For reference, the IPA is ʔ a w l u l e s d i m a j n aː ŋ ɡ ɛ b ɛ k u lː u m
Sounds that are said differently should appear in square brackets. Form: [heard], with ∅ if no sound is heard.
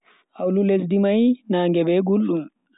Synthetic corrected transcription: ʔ a w l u l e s d i m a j n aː ŋ ɡ ɛ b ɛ [ɡ] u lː u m